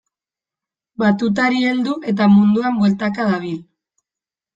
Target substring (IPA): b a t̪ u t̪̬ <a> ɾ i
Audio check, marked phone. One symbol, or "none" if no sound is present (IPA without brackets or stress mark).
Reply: a